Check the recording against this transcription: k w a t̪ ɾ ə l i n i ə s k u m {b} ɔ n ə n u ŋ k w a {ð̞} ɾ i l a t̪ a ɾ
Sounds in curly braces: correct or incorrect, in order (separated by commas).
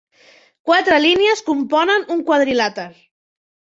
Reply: incorrect, correct